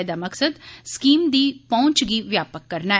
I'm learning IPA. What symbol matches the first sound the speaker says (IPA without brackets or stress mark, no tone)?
d̪